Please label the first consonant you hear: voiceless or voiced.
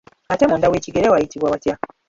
voiceless